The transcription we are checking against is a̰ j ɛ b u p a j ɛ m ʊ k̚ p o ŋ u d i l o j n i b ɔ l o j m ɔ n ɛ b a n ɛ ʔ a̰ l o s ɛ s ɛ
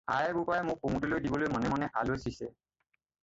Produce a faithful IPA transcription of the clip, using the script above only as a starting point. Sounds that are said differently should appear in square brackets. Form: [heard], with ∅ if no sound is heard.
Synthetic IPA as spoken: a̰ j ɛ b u p a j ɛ m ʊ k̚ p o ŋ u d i l o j [d] i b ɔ l o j m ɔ n ɛ [m] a n ɛ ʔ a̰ l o s [i] s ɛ